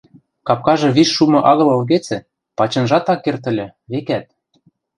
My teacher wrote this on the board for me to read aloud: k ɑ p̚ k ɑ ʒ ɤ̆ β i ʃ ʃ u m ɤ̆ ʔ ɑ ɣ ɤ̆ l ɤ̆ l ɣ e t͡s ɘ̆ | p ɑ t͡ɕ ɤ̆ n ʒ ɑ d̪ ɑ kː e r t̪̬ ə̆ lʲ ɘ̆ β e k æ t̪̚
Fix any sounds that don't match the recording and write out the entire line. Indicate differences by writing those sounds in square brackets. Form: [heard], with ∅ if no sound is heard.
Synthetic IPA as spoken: k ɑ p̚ k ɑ ʒ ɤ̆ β i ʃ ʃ u m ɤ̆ ʔ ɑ ɣ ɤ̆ l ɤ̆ l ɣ e t͡s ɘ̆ | p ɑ t͡ɕ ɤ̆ n ʒ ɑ [t̪] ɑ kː e r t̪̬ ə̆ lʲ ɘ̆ β e k æ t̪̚